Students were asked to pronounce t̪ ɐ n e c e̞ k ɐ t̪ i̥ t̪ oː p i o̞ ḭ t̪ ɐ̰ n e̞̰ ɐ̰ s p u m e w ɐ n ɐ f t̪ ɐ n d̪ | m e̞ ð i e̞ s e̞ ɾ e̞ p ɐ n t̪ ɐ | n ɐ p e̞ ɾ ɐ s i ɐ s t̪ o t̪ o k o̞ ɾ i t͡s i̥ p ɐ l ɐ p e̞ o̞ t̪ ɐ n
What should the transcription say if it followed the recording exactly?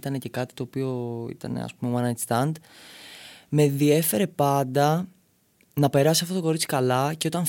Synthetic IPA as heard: t̪ ɐ n e c e̞ k ɐ t̪ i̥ t̪ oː p i o̞ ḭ t̪ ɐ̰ n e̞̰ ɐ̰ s p u m e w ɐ n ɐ s t̪ ɐ n d̪ | m e̞ ð i e̞ f e̞ ɾ e̞ p ɐ n d̪ ɐ | n ɐ p e̞ ɾ ɐ s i ɐ f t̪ o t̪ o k o̞ ɾ i t͡s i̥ k ɐ l ɐ c e̞ o̞ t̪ ɐ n